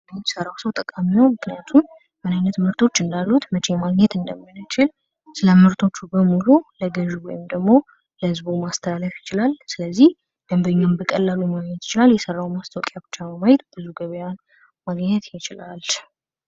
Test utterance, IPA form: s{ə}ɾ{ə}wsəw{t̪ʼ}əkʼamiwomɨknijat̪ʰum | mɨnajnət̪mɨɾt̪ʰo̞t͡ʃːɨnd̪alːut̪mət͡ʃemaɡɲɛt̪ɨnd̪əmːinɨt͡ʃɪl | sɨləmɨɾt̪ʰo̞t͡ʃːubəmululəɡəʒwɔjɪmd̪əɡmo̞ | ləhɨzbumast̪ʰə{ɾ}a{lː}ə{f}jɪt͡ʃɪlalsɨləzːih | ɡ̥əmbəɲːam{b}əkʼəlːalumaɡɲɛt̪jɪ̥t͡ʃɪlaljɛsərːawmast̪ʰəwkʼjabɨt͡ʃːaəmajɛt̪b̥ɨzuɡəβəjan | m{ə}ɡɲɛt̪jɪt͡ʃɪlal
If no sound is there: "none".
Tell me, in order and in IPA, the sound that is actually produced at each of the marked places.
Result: ə, a, t̪ʼ, l, l, f, b, a

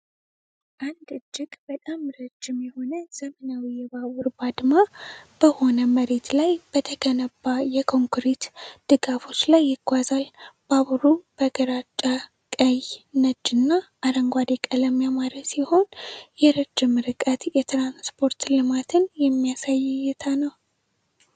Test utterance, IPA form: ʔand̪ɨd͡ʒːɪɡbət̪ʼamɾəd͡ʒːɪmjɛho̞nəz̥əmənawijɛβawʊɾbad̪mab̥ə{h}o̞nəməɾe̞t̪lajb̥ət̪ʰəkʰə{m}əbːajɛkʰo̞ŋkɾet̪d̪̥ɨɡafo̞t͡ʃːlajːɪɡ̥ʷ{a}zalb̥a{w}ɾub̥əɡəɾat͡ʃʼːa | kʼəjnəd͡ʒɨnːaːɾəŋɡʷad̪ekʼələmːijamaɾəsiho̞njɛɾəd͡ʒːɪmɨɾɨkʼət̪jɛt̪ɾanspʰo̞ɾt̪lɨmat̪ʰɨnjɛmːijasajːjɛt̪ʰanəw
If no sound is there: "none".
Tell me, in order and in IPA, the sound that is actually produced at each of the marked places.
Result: h, n, a, β

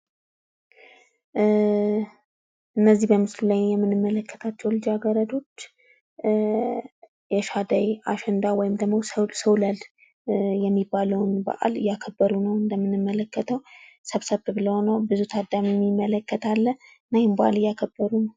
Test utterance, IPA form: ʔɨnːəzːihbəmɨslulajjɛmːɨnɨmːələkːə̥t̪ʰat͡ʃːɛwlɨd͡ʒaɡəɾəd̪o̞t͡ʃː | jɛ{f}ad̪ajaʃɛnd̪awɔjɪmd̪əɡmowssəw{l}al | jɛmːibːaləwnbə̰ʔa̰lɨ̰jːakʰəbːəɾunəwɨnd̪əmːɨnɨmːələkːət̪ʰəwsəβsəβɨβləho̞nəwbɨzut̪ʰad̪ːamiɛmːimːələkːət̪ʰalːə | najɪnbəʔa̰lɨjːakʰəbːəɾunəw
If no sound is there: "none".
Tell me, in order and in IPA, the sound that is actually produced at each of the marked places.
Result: ʃ, l

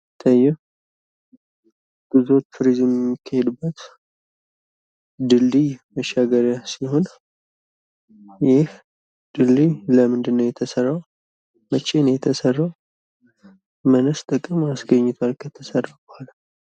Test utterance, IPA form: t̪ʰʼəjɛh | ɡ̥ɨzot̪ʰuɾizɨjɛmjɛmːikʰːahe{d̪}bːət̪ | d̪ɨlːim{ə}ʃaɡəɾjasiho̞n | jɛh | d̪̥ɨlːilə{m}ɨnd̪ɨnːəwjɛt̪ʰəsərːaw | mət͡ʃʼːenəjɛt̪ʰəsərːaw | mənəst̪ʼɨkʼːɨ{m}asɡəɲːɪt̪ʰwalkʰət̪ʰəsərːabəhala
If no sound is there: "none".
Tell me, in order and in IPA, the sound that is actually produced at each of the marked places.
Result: d̪, ə, m, m

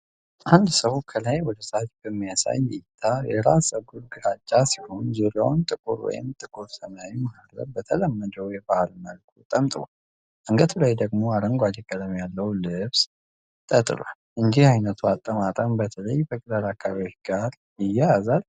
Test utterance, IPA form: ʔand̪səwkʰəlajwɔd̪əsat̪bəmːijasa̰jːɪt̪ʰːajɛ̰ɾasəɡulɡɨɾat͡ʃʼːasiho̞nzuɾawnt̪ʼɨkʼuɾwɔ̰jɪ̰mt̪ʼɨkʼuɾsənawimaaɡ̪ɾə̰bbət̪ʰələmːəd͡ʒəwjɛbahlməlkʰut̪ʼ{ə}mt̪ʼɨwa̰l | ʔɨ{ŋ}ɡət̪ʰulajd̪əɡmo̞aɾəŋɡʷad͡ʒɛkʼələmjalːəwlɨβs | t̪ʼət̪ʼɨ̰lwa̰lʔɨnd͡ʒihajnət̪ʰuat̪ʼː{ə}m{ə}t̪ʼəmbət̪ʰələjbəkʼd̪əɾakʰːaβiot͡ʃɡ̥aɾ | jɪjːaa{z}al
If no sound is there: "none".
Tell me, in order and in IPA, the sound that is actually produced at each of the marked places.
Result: ə, ŋ, ə, a, z

